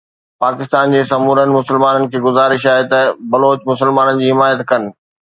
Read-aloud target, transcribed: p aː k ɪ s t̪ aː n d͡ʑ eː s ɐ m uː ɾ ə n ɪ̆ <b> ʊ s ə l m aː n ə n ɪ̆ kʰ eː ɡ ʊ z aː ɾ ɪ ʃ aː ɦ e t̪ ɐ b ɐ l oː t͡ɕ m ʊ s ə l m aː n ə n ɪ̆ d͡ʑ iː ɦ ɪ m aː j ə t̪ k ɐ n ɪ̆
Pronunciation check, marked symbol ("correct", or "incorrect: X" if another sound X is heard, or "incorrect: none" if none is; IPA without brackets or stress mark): incorrect: m